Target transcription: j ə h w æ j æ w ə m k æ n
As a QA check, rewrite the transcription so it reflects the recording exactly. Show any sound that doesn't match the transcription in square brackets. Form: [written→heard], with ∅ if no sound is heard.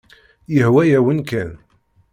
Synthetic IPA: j ə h w æ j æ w ə [m→n] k æ n